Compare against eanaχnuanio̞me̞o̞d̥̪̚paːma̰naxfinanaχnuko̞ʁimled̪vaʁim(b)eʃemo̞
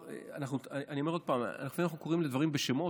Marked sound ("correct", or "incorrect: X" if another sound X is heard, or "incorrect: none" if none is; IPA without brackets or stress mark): correct